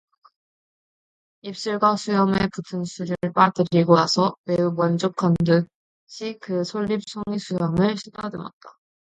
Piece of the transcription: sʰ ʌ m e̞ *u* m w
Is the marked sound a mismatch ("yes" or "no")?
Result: no